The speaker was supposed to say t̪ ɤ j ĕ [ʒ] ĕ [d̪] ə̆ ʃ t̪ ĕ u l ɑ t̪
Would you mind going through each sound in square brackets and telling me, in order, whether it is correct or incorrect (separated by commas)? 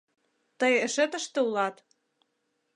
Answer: incorrect, incorrect